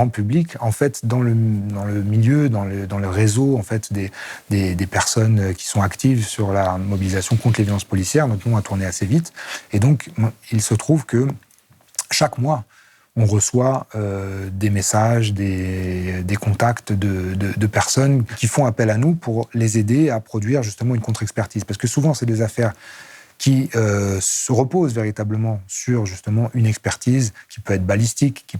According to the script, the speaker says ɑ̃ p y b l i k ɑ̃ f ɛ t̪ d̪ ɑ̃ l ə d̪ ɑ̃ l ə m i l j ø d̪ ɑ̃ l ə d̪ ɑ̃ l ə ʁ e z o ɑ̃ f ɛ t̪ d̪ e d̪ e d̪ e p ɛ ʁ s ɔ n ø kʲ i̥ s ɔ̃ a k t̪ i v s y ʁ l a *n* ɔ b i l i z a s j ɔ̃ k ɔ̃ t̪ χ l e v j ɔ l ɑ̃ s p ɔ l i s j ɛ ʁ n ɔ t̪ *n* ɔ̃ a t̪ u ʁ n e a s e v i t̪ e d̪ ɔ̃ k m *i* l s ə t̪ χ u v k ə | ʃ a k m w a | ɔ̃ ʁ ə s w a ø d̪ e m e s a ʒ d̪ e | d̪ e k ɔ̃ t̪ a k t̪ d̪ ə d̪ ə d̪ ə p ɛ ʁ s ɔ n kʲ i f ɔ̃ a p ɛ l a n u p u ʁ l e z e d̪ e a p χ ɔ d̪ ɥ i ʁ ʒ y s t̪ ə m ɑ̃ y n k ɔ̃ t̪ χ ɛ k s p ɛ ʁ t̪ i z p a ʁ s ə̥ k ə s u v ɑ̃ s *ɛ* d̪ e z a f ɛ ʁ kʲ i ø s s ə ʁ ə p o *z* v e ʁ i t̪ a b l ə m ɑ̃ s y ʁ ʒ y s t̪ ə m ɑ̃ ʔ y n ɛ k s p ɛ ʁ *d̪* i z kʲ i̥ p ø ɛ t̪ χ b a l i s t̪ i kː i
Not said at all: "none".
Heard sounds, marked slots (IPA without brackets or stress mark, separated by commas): m, n, i, ɛ, z, t̪